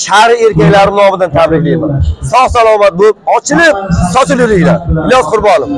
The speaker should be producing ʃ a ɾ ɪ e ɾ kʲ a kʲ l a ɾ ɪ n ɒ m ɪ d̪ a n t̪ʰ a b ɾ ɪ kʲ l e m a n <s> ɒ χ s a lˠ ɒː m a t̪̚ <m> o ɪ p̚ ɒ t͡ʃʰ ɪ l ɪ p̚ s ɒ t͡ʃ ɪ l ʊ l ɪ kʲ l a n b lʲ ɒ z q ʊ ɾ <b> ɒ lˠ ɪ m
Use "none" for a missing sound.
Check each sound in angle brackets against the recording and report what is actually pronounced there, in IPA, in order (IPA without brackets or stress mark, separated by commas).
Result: s, b, b